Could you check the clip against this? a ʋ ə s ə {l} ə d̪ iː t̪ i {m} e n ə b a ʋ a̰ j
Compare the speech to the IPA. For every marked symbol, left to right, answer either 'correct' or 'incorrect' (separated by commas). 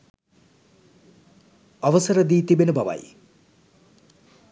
incorrect, incorrect